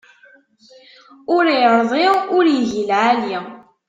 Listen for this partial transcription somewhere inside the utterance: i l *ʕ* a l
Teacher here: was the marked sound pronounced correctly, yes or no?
yes